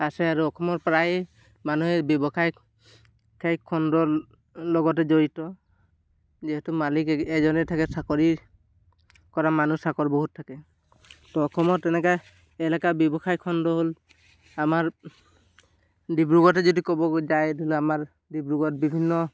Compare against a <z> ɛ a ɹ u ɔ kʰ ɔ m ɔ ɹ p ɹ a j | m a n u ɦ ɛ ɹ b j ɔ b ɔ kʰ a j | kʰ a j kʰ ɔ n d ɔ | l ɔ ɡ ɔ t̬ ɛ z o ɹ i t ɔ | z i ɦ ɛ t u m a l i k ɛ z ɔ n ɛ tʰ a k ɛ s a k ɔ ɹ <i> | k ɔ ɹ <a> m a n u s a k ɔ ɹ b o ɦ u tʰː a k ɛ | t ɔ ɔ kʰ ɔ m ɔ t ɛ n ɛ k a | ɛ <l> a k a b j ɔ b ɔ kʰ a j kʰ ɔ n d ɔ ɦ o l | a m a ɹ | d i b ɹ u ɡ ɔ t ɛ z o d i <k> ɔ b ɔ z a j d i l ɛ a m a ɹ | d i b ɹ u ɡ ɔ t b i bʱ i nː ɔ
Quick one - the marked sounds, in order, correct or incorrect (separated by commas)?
incorrect, correct, correct, correct, correct